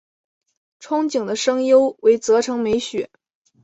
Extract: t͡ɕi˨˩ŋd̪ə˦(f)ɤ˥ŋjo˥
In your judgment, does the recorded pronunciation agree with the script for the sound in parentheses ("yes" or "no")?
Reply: no